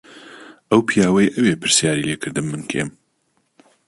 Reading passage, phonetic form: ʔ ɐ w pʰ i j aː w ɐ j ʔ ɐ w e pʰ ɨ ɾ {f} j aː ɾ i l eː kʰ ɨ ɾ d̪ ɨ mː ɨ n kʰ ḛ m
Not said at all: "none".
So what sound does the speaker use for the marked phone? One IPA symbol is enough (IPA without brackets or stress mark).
s